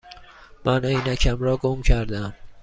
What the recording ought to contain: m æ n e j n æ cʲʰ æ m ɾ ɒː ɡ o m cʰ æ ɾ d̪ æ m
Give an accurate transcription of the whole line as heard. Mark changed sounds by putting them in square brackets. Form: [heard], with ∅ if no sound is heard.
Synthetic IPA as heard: m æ n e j n æ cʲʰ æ m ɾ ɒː ɡ o m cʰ æ ɾ d̪ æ m